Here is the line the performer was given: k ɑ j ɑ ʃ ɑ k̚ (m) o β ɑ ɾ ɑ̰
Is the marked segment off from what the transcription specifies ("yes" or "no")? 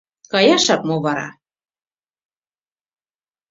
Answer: no